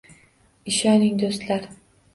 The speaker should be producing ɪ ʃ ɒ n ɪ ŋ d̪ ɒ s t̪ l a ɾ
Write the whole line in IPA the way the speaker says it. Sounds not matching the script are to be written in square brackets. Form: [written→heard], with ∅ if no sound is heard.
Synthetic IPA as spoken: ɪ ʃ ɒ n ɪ ŋ d̪ [ɒ→o] s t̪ l a ɾ